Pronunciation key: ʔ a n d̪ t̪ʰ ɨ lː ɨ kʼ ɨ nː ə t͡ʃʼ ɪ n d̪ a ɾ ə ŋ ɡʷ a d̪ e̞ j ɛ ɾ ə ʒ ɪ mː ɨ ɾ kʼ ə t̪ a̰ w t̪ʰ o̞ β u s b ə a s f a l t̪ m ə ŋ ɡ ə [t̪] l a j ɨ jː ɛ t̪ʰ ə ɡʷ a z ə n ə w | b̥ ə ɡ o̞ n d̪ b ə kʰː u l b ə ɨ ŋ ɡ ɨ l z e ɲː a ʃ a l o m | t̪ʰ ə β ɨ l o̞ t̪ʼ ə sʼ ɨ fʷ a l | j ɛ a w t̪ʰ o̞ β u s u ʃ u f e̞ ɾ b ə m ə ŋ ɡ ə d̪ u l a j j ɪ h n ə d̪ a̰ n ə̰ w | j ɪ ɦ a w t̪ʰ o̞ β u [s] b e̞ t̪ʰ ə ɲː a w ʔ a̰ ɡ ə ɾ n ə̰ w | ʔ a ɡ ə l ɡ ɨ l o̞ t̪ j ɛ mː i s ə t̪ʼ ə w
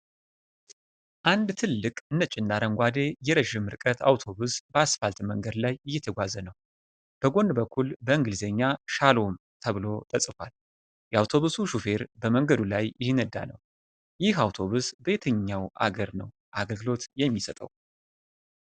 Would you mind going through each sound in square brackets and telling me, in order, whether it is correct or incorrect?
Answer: incorrect, correct

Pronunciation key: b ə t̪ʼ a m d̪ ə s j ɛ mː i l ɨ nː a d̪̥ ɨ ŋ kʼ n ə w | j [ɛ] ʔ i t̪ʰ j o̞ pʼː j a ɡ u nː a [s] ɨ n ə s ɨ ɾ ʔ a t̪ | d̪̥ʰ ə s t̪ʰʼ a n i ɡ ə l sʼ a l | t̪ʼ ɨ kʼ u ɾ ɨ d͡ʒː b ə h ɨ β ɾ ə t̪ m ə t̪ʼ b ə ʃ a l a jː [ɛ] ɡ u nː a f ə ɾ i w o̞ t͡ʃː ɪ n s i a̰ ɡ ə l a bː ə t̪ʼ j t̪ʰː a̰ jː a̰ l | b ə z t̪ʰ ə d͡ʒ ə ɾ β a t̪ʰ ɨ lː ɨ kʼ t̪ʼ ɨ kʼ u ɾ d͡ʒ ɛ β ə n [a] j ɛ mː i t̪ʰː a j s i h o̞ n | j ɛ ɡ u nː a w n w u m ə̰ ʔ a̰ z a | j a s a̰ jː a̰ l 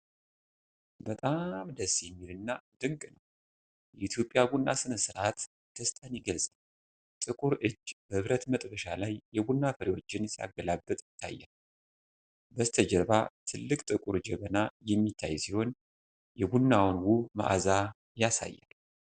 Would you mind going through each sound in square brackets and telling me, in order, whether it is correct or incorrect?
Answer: correct, correct, correct, correct

